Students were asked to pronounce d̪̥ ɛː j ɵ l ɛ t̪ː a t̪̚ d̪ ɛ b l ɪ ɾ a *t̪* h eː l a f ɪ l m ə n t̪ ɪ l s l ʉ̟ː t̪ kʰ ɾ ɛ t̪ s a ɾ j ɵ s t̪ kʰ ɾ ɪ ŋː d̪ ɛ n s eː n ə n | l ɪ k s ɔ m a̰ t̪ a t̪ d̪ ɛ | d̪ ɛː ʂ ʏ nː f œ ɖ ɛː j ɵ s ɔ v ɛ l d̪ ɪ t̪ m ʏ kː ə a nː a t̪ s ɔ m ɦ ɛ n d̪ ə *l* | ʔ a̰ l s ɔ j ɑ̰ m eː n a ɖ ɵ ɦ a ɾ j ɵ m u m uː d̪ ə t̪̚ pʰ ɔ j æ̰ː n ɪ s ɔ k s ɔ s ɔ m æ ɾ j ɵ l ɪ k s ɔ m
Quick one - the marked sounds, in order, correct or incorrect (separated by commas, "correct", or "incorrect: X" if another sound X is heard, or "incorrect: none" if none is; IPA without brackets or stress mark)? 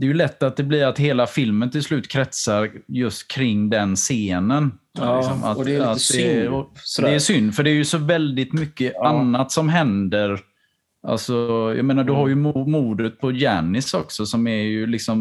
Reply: correct, incorrect: ɾ